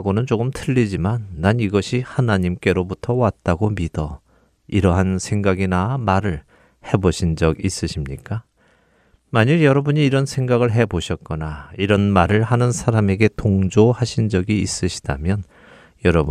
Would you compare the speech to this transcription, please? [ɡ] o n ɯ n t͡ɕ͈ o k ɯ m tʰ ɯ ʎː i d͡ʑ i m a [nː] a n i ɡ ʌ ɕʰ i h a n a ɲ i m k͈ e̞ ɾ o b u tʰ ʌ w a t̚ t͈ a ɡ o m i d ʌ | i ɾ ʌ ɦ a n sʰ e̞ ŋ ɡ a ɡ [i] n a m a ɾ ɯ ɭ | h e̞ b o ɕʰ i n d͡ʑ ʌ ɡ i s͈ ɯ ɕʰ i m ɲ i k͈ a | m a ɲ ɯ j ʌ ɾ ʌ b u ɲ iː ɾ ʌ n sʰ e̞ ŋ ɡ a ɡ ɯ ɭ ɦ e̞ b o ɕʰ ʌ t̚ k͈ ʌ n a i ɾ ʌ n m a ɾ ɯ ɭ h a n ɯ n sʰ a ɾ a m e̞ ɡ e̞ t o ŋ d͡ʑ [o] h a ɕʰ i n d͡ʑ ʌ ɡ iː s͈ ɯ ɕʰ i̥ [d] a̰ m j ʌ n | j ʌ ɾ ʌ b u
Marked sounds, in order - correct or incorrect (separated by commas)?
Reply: correct, correct, correct, correct, correct